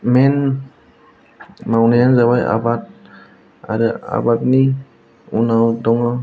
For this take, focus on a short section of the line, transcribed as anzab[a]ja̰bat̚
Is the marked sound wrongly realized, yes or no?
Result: no